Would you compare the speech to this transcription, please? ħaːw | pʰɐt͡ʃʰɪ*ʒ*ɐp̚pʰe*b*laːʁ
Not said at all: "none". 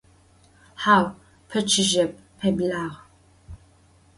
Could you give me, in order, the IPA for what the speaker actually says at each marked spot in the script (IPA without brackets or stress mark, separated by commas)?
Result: ʒ, b